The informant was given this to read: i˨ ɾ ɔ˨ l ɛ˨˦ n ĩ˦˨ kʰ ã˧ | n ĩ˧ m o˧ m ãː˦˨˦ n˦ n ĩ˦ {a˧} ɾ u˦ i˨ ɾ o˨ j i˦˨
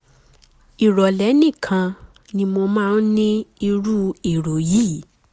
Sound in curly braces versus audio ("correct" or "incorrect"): incorrect